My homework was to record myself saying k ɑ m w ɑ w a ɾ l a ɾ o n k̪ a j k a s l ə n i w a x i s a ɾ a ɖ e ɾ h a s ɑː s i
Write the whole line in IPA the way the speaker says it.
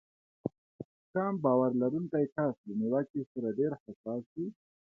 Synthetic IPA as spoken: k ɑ m b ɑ w a ɾ l a ɾ u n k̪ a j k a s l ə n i w a k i s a ɾ a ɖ e ɾ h a s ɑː s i